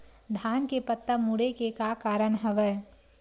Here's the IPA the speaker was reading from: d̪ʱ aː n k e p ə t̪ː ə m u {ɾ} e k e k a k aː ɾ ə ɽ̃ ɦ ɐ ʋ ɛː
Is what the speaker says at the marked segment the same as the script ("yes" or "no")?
no